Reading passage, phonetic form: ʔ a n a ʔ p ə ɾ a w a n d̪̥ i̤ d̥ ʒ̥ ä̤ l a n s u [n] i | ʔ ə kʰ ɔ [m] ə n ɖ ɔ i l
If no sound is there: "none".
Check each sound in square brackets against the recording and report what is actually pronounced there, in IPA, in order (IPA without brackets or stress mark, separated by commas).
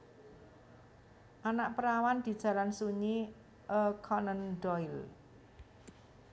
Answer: ɲ, n